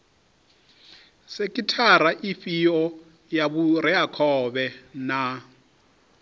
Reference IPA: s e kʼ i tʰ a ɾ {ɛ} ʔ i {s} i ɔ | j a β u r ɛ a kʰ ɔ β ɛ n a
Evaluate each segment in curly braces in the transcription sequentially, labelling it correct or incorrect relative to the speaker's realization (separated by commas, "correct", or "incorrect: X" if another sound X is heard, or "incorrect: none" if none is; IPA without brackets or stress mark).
incorrect: a, incorrect: f